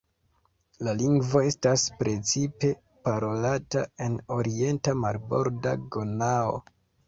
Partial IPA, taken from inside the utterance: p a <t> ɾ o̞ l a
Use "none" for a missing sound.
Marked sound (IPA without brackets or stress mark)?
none